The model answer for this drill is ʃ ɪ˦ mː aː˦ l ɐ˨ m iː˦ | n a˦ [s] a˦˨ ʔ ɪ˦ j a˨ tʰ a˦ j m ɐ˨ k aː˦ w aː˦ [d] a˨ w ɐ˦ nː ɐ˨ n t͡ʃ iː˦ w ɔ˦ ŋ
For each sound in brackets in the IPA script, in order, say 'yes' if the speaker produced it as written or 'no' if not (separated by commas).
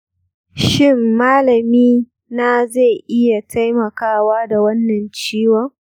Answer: no, yes